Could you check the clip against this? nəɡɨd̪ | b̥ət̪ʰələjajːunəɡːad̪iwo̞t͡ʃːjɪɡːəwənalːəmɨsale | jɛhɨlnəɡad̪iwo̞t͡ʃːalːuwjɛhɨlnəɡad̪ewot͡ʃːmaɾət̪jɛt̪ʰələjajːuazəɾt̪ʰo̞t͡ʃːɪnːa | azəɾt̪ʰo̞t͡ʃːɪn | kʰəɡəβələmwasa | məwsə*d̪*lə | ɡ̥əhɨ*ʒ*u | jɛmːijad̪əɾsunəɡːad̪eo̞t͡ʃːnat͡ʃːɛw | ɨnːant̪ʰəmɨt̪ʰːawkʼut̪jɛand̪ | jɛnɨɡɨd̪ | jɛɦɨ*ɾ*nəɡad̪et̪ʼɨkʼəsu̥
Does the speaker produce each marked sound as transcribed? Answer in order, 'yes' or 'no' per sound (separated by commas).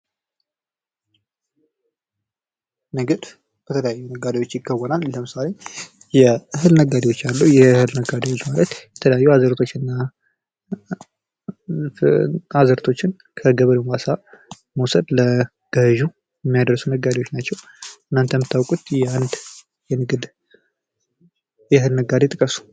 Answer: yes, yes, no